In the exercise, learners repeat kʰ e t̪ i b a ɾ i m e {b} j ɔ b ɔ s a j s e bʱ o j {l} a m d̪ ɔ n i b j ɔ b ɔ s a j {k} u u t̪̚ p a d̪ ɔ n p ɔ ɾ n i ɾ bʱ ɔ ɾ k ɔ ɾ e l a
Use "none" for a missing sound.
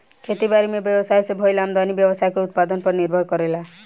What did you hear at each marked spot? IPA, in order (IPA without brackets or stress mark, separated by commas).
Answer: b, l, k